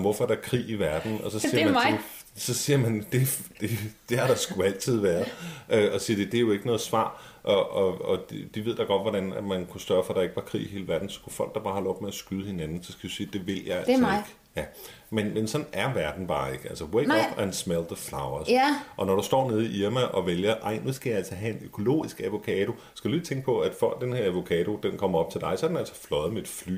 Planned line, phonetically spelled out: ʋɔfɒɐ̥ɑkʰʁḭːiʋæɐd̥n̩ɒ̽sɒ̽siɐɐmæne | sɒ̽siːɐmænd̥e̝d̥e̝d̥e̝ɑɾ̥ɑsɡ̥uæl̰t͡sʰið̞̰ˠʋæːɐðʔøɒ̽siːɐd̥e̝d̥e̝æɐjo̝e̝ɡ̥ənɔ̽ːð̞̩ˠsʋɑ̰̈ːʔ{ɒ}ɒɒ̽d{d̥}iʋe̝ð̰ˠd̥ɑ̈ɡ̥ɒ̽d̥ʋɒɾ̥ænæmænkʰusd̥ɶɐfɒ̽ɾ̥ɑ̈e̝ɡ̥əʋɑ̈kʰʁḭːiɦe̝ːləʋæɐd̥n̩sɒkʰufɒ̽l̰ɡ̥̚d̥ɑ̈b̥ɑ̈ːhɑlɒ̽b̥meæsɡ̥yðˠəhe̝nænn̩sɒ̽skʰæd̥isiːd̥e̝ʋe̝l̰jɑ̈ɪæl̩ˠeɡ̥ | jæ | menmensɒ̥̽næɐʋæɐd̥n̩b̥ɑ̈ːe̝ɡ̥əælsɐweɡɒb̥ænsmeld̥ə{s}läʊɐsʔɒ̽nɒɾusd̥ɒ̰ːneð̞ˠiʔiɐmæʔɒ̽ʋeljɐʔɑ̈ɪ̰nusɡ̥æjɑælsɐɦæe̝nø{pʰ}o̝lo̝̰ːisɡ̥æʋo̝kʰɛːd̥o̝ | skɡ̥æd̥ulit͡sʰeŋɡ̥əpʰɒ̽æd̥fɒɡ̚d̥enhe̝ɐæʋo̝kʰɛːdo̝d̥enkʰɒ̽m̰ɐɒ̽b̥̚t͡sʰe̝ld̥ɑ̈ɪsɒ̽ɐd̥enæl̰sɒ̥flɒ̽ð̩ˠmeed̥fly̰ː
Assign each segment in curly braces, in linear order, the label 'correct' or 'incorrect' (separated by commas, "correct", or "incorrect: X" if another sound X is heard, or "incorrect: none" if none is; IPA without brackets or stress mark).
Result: correct, correct, incorrect: f, incorrect: kʰ